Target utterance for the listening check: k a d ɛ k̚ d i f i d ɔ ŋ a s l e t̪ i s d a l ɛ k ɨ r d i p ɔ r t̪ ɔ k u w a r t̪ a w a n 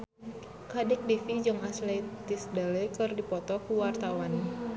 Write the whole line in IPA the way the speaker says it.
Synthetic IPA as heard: k a d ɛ k̚ d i f i d͡ʒ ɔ ŋ a s l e t̪ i s d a l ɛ k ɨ r d i p ɔ t̪ ɔ k u w a r t̪ a w a n